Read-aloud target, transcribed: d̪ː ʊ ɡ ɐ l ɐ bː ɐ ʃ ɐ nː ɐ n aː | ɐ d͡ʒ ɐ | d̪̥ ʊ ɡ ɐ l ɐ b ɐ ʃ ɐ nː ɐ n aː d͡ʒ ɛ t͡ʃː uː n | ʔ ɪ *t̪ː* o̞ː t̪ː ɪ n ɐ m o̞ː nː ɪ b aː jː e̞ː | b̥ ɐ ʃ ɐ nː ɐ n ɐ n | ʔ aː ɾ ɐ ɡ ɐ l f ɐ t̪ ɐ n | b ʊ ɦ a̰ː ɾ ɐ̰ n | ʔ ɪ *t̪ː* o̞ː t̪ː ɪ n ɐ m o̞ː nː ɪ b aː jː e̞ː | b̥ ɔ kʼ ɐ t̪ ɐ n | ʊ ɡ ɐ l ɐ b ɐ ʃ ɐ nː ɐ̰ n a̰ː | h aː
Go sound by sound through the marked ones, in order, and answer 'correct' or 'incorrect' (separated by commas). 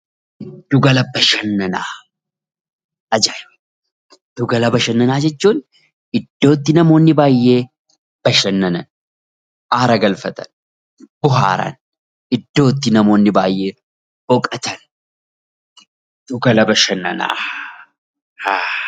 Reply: incorrect, incorrect